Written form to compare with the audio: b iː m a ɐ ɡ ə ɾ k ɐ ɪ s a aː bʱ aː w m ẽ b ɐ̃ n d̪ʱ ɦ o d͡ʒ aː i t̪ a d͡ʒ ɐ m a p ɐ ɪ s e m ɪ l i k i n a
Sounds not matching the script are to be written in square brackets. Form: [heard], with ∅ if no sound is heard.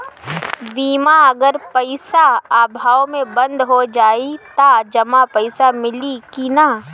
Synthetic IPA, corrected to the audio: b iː m a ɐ ɡ ə ɾ [p] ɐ ɪ s a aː bʱ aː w m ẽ b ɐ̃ n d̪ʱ ɦ o d͡ʒ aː i t̪ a d͡ʒ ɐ m a p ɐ ɪ s [a] m ɪ l i k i n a